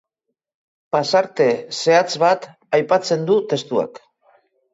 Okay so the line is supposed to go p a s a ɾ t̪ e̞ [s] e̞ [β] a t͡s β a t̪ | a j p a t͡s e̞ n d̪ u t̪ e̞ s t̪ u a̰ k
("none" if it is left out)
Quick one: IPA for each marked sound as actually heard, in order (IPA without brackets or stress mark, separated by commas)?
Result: s, none